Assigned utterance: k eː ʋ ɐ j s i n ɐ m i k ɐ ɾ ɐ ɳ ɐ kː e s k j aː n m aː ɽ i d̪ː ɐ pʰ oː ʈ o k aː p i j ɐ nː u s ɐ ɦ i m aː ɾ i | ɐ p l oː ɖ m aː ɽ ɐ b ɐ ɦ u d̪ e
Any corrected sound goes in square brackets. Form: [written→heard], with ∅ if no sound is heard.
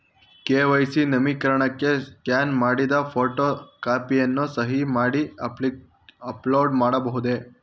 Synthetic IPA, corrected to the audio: k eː ʋ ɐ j s i n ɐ m i k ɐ ɾ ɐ ɳ ɐ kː e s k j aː n m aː ɽ i [d̪ː→d̪] ɐ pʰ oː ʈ o k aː p i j ɐ nː u s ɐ ɦ i m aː [ɾ→ɽ] i | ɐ p l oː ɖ m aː ɽ ɐ b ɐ ɦ u d̪ e